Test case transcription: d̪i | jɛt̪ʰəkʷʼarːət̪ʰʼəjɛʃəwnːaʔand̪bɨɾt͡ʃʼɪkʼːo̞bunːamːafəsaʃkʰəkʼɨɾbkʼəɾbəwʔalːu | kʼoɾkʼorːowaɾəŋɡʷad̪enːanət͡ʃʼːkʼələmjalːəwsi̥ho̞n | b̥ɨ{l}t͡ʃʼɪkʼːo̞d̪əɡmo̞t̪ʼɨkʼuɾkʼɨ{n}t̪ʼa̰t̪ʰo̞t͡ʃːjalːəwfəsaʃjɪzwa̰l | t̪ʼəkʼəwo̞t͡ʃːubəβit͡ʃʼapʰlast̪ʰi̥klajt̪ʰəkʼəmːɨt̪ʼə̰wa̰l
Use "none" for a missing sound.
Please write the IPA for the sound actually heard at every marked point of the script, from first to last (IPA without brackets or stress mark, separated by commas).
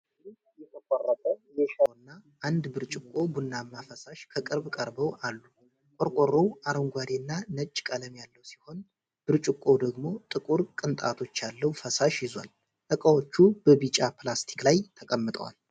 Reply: ɾ, n